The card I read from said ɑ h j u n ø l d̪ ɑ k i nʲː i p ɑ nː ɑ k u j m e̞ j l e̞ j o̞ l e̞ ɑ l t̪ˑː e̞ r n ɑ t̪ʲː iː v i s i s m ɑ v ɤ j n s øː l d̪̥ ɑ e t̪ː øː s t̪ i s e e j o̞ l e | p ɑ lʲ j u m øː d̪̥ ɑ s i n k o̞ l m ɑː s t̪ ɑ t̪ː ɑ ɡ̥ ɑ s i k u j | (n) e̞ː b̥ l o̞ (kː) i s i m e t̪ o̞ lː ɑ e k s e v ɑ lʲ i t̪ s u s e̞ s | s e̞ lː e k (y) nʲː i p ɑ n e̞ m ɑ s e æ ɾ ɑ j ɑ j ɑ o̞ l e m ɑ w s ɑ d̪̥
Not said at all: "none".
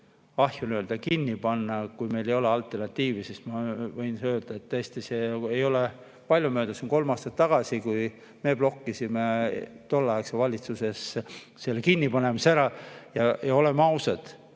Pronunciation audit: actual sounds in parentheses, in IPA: m, kː, i

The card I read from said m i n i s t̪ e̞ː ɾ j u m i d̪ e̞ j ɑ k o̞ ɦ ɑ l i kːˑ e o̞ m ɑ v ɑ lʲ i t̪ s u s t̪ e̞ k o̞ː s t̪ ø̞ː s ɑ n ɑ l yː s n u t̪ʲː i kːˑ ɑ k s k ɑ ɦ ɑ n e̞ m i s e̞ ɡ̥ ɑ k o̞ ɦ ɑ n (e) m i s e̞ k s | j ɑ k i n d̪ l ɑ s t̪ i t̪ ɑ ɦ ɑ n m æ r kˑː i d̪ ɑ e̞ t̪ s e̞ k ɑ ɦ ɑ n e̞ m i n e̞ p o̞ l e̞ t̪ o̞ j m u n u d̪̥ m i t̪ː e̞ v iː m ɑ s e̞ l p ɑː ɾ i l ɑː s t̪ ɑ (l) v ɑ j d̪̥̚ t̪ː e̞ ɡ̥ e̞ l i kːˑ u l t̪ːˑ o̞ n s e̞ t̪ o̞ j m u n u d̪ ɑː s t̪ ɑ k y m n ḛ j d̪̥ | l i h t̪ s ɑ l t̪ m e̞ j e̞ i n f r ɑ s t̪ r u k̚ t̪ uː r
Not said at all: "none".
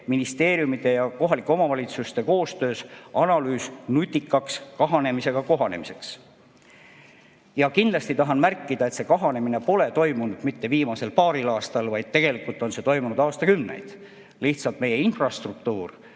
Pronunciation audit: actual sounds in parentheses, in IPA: e, l

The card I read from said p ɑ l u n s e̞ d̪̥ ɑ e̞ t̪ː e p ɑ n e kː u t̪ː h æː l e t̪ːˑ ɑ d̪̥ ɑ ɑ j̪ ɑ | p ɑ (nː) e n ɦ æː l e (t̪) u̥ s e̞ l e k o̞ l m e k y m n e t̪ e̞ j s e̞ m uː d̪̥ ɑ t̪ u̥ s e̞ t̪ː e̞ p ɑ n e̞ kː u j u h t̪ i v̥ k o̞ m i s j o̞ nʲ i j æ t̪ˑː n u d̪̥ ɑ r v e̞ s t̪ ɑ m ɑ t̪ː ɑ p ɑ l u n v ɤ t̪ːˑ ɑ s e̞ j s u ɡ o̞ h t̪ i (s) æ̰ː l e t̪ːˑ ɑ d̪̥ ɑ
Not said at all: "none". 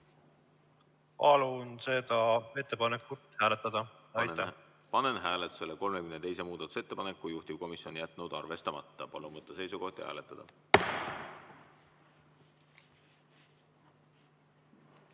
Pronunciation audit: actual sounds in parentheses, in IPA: n, t̪, h

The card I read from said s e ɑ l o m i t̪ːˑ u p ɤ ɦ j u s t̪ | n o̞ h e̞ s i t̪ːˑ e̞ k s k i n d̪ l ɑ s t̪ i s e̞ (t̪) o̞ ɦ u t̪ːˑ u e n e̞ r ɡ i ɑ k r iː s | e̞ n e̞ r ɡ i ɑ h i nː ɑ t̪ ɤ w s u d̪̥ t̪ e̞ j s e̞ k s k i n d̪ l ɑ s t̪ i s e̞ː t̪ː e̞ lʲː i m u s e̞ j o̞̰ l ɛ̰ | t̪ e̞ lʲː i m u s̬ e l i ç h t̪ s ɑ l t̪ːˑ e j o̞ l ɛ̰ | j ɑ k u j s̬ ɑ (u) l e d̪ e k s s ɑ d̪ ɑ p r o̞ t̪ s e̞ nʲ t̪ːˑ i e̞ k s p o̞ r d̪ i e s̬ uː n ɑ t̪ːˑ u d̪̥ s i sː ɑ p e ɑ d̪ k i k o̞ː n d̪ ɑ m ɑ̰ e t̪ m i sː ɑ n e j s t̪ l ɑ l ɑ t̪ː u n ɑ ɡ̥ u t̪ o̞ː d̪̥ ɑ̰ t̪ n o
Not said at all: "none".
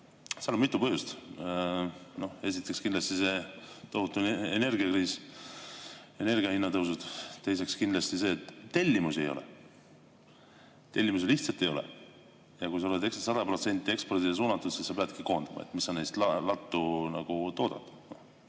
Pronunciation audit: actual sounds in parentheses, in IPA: t̪, o

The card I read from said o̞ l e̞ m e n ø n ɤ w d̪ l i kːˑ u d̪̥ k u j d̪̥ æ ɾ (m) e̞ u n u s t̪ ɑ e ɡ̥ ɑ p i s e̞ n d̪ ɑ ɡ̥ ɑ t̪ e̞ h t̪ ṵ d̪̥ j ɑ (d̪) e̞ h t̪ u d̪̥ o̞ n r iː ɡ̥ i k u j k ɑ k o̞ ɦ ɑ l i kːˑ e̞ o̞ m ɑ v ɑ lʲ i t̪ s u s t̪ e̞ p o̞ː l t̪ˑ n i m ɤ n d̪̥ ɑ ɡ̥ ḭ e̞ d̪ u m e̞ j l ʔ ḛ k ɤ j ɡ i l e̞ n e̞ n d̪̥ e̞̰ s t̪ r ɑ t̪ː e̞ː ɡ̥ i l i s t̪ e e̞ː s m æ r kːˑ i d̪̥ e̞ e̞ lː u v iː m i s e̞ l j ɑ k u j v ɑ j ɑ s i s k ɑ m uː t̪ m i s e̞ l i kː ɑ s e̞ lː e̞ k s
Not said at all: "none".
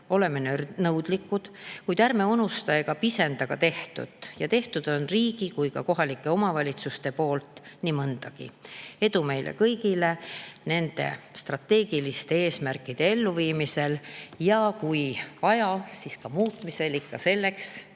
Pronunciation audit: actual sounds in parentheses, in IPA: m, t̪

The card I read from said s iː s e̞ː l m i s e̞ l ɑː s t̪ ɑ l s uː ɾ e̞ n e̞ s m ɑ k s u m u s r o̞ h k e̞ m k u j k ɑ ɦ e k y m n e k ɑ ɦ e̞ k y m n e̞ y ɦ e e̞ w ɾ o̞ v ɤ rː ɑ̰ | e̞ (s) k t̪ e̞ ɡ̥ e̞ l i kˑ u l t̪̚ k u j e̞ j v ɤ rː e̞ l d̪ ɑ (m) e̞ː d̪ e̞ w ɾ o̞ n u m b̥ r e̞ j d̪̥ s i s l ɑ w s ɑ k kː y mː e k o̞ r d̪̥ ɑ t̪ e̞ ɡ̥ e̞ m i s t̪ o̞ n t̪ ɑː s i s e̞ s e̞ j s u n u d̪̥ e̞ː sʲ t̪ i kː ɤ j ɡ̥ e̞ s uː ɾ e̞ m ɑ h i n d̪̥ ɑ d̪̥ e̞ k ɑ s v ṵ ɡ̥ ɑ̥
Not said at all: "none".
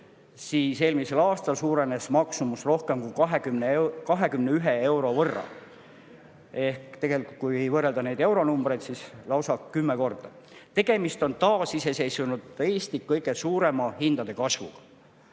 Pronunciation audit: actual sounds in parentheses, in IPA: h, n

